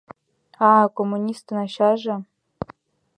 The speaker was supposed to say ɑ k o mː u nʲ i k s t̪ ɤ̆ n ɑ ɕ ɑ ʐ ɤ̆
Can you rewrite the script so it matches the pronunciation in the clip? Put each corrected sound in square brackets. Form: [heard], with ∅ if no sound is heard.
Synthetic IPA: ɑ k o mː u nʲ i [∅] s t̪ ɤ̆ n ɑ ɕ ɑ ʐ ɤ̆